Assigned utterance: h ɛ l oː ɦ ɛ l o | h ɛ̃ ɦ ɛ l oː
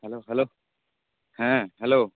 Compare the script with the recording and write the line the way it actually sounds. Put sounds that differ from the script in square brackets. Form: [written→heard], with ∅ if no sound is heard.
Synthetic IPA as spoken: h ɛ l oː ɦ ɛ l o | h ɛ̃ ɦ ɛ l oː